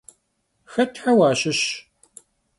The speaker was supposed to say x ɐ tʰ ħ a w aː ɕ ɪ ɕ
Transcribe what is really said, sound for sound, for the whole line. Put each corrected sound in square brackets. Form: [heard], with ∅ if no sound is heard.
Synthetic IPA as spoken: x ɐ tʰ ħ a w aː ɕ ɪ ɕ